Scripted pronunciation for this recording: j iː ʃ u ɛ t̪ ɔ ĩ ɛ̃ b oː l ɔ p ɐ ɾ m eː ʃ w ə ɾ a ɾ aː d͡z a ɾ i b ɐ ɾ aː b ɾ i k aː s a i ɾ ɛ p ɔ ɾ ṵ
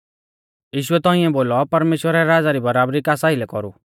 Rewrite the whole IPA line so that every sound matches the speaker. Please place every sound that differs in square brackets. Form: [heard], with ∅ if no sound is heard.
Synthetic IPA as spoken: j iː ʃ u ɛ t̪ ɔ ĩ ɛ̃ b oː l ɔ p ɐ ɾ m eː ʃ w ə ɾ a ɾ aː d͡z a ɾ i b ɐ ɾ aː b ɾ i k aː s a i [l] ɛ [k] ɔ ɾ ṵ